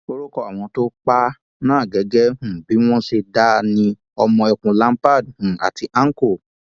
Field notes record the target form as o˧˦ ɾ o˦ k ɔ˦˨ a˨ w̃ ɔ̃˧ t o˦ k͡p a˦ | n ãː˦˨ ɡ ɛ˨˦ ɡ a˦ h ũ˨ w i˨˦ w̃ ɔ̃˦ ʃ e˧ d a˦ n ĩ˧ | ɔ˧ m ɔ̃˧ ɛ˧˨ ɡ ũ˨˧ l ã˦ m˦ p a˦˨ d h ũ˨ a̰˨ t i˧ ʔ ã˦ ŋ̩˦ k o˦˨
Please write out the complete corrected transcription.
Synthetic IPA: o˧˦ ɾ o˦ k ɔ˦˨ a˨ w̃ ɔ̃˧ t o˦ k͡p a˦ | n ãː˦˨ ɡ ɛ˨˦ ɡ ɛ˦ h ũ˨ b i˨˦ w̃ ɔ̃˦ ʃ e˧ d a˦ n ĩ˧ | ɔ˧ m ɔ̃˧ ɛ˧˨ k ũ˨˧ l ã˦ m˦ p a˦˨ d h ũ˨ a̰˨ t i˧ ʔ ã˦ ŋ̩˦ k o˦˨